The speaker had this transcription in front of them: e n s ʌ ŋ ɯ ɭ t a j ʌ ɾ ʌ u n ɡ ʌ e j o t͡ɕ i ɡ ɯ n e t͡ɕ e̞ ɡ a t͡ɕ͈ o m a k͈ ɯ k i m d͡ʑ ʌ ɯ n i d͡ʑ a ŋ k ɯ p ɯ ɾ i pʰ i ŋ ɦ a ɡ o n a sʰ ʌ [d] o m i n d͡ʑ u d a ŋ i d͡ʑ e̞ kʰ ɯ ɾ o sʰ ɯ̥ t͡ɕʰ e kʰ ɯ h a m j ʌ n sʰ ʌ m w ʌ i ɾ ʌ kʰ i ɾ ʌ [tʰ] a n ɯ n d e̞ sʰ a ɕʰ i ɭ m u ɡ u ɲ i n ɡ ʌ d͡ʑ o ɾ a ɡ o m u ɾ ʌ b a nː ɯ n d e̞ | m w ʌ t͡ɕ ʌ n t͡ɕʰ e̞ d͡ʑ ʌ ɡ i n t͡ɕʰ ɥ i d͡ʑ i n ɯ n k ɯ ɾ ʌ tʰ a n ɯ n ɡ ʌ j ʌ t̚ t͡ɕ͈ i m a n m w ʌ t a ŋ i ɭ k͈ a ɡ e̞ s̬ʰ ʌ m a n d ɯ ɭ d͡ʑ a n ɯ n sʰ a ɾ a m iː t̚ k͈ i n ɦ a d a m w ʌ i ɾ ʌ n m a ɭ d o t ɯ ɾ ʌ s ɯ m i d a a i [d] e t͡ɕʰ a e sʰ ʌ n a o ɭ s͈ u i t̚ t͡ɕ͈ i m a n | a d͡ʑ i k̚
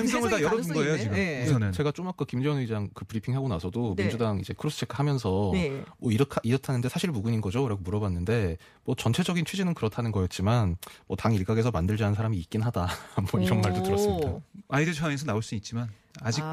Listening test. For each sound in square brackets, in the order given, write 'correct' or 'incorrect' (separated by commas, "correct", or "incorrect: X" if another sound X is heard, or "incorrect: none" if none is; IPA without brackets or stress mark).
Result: correct, correct, correct